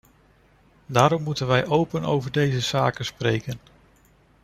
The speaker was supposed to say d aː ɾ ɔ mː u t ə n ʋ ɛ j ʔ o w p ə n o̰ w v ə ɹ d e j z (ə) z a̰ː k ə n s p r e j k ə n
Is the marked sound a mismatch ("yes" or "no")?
no